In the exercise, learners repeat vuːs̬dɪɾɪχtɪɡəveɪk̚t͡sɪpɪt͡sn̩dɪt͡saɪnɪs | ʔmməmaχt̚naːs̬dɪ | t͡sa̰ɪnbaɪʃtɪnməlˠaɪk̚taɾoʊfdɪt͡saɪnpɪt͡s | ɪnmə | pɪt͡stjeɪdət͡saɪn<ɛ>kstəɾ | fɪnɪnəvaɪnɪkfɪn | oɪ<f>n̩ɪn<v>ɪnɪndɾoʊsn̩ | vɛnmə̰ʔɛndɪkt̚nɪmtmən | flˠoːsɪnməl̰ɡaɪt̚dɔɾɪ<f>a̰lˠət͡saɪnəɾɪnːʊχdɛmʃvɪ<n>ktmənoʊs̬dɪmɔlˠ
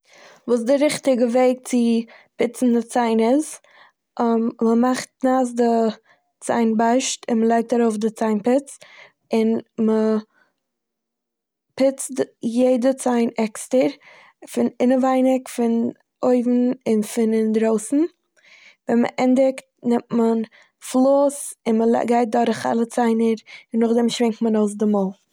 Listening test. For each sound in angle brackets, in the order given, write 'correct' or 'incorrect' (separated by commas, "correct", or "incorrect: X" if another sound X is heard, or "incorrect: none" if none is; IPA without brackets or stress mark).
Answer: correct, incorrect: v, incorrect: f, incorrect: χ, incorrect: ŋ